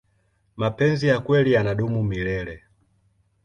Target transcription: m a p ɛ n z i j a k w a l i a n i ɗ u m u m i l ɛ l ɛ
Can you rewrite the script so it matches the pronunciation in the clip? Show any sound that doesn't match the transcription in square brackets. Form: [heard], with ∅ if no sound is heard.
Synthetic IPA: m a p ɛ n z i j a k w [ɛ] l i a n [a] ɗ u m u m i l ɛ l ɛ